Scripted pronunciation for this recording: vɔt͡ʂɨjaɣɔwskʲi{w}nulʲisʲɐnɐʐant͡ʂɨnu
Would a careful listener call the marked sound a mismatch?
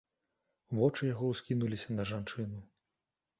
yes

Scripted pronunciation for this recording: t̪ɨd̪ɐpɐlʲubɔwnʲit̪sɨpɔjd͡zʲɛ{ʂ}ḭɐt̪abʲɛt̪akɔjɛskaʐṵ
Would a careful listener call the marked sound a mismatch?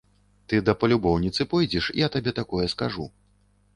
no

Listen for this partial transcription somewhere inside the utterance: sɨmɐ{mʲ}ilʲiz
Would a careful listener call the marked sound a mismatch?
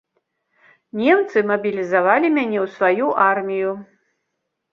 yes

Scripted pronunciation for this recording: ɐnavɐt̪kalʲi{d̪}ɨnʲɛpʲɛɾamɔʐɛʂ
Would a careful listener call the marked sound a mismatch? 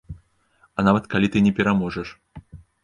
yes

